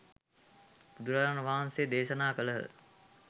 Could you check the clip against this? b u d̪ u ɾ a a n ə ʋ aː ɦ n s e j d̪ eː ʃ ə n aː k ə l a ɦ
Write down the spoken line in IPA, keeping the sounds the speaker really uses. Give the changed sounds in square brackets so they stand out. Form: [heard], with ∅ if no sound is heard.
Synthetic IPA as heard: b u d̪ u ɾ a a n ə ʋ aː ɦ n s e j d̪ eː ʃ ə n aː k ə l [ə] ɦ